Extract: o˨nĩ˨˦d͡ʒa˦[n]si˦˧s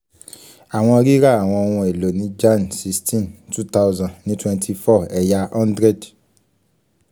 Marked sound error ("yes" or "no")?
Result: no